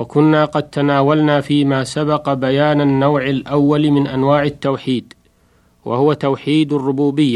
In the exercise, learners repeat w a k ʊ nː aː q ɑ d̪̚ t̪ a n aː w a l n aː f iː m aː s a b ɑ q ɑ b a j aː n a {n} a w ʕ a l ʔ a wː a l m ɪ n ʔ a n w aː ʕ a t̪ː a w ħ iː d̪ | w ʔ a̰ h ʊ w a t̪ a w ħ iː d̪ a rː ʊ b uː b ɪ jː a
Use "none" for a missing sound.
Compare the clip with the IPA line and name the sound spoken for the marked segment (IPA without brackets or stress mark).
nː